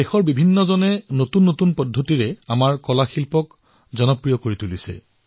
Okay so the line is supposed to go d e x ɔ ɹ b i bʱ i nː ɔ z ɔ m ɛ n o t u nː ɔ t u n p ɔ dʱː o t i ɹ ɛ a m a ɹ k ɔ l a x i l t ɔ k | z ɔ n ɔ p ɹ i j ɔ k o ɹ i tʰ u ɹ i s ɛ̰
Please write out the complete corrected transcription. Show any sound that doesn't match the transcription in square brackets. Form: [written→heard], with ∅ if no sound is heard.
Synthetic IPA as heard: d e x ɔ ɹ b i bʱ i nː ɔ z ɔ [m→n] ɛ n o t u nː [ɔ→o] t u n p ɔ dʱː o t i ɹ ɛ a m a ɹ k ɔ l a x i l [t→p] ɔ k | z ɔ n ɔ p ɹ i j ɔ k o ɹ i [tʰ→t] u [ɹ→l] i s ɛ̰